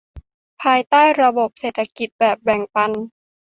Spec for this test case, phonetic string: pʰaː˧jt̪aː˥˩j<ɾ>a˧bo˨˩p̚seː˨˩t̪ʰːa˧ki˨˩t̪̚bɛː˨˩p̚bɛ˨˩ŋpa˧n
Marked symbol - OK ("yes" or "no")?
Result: yes